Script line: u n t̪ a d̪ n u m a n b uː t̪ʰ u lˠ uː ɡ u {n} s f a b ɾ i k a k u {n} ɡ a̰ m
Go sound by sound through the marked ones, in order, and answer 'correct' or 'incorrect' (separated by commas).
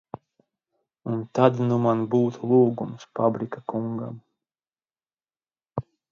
incorrect, incorrect